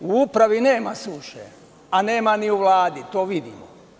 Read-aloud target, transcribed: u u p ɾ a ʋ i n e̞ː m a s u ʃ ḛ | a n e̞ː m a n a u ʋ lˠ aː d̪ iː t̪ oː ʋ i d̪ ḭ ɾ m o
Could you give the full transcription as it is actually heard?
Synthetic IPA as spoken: u u p ɾ a ʋ i n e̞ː m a s u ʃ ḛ | a n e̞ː m a n i u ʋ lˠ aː d̪ i t̪ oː ʋ i d̪ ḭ m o